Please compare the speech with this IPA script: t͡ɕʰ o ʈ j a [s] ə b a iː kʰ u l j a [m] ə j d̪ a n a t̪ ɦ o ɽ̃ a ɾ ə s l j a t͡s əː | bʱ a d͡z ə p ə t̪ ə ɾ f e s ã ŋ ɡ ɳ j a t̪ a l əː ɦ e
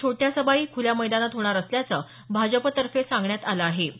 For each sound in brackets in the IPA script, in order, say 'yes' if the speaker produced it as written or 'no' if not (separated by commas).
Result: yes, yes